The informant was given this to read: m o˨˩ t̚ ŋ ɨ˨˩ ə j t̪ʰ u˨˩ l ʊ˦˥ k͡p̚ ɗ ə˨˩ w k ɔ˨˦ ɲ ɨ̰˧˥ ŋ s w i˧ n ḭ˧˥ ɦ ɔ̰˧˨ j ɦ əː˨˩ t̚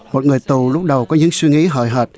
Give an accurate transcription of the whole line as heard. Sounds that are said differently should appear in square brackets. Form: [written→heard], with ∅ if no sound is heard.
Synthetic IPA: m o˨˩ t̚ ŋ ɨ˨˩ ə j [t̪ʰ→t̪] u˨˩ l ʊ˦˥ k͡p̚ ɗ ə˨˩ w k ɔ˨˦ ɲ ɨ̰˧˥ ŋ s w i˧ [n→ŋ] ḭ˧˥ ɦ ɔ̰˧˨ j ɦ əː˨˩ t̚

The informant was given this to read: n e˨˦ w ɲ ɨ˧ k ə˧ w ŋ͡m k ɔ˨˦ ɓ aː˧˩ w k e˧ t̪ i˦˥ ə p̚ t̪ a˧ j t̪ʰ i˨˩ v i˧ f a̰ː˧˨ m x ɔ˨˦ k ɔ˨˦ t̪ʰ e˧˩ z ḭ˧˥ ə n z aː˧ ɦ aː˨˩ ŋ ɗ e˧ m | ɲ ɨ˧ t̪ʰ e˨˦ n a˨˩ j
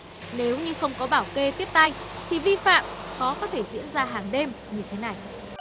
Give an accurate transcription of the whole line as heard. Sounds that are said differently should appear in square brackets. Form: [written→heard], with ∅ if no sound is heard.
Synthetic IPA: n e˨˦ w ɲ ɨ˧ [k→x] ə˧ w ŋ͡m k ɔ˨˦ ɓ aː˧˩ w k e˧ t̪ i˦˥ ə p̚ t̪ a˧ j t̪ʰ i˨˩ v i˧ f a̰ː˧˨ m x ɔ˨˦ k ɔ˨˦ t̪ʰ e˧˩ z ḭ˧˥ ə n z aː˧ ɦ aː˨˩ ŋ ɗ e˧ m | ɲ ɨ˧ t̪ʰ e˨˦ n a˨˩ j

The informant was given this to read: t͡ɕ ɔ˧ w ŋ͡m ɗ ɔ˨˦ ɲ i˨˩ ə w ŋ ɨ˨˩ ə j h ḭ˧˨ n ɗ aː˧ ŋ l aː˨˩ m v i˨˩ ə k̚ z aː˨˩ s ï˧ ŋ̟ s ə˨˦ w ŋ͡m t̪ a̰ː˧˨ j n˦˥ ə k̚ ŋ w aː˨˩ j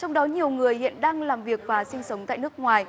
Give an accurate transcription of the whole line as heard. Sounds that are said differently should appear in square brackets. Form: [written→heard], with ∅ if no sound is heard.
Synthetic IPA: t͡ɕ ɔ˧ w ŋ͡m ɗ ɔ˨˦ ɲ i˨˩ ə w ŋ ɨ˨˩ ə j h ḭ˧˨ n ɗ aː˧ ŋ l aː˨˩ m v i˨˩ ə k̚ [z→v] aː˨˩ s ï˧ ŋ̟ s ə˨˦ w ŋ͡m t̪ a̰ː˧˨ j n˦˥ ə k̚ ŋ w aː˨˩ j

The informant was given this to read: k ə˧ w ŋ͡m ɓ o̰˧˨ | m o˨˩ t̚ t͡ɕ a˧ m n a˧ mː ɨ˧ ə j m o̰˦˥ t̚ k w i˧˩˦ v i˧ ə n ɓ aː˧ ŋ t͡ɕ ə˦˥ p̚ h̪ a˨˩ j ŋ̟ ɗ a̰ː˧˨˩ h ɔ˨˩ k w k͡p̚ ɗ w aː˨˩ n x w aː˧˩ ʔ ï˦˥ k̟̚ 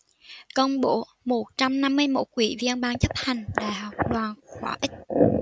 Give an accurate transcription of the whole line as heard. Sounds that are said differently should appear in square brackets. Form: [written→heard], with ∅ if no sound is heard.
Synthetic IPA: k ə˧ w ŋ͡m ɓ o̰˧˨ | m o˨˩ t̚ t͡ɕ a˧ m n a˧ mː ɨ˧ ə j m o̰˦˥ t̚ k w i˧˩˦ v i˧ ə n ɓ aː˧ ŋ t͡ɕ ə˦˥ p̚ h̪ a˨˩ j ŋ̟ ɗ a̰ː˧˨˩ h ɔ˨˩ [k→∅] w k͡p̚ ɗ w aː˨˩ n x w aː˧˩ ʔ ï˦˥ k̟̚

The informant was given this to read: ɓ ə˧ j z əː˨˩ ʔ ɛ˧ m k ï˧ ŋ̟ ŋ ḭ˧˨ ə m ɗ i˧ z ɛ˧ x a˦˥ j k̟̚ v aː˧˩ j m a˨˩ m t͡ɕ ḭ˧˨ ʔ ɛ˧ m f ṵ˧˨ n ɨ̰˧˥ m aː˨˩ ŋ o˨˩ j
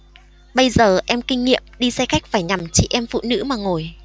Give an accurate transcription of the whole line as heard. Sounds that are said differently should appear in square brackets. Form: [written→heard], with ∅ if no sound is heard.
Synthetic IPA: ɓ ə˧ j z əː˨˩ ʔ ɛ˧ m k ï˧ ŋ̟ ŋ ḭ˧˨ ə m ɗ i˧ [z→s] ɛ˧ x a˦˥ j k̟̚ [v→f] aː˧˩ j [m→ɲ] a˨˩ m t͡ɕ ḭ˧˨ ʔ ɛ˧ m f ṵ˧˨ n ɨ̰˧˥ m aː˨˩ ŋ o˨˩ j

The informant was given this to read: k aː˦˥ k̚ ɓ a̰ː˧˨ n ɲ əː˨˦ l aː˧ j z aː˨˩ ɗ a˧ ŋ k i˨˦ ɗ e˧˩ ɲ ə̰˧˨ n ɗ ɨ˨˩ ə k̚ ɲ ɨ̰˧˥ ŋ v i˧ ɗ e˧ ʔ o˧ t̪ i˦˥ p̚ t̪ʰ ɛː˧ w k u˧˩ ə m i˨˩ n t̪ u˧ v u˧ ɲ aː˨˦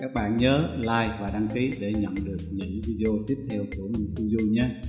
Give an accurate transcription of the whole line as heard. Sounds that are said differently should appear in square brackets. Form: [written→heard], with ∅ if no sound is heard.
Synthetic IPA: k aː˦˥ k̚ ɓ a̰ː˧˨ n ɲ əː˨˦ l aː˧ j [z→v] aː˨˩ ɗ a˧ ŋ k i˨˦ ɗ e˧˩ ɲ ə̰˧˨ n ɗ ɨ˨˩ ə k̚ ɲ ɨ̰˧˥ ŋ v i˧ ɗ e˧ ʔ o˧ t̪ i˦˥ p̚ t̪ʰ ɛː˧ w k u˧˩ ə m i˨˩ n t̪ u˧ [v→z] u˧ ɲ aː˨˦

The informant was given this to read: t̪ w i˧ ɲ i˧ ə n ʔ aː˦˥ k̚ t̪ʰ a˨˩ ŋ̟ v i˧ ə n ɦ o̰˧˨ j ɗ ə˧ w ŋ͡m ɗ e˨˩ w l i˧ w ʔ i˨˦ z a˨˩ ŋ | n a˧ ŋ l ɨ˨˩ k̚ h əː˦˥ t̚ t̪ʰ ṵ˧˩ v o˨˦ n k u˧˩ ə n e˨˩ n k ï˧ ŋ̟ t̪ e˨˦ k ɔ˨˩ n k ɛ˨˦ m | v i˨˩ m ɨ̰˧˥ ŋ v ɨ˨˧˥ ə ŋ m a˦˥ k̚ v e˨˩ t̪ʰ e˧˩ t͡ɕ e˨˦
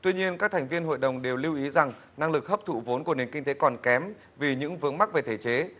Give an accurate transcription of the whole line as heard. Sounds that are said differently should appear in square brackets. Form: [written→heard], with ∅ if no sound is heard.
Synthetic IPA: t̪ w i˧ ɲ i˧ ə n [ʔ→k] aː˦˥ k̚ t̪ʰ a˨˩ ŋ̟ v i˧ ə n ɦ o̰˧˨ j ɗ [ə˧→ə˨˩] w ŋ͡m ɗ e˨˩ w l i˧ w ʔ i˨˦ z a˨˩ ŋ | n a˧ ŋ l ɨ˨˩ k̚ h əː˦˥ [t̚→p̚] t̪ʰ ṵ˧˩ v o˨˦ n k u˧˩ ə n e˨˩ n k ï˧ ŋ̟ t̪ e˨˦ k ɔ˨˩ n k ɛ˨˦ m | v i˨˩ [m→ɲ] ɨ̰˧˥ ŋ v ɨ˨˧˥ ə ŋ m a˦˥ k̚ v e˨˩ t̪ʰ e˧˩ t͡ɕ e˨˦

